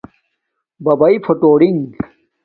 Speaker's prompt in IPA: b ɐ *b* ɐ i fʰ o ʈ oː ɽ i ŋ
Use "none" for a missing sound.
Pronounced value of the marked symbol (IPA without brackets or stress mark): b